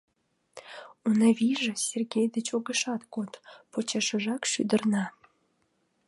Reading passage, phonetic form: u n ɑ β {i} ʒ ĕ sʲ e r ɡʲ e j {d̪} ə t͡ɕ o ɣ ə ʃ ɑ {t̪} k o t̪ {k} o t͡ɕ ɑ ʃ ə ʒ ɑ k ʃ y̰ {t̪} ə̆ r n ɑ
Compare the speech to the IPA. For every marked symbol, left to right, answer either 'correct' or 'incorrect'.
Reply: correct, correct, correct, incorrect: p, incorrect: d̪

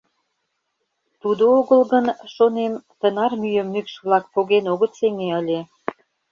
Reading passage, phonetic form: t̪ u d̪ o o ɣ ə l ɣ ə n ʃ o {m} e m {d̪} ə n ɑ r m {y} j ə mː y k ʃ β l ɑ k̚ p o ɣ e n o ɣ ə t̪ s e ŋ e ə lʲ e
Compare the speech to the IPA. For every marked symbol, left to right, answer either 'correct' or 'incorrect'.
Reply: incorrect: n, incorrect: t̪, correct

